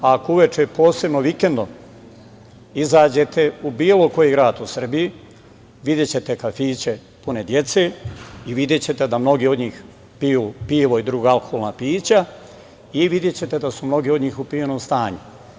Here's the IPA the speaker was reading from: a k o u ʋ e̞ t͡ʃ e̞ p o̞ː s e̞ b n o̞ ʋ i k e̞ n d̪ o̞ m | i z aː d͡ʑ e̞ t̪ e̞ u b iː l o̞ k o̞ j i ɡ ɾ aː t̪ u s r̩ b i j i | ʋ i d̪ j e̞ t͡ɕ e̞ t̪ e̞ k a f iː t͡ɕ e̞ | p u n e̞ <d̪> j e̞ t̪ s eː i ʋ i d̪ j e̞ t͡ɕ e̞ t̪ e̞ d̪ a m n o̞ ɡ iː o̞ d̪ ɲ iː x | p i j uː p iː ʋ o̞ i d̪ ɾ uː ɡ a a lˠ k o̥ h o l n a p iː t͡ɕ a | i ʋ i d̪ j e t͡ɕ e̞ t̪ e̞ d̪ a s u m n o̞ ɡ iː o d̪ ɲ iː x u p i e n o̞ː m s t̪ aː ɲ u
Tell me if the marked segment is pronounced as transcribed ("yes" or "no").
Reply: yes